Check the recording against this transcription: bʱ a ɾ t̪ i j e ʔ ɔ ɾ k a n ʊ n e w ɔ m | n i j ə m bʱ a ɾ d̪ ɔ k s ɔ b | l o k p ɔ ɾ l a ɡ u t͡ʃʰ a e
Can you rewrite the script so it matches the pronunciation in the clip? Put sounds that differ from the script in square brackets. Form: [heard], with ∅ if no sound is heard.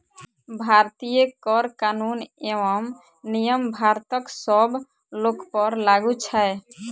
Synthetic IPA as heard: bʱ a ɾ t̪ i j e [k] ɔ ɾ k a n [u] n e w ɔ m | n i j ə m bʱ a ɾ [t̪] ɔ k s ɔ b | l o k p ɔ ɾ l a ɡ u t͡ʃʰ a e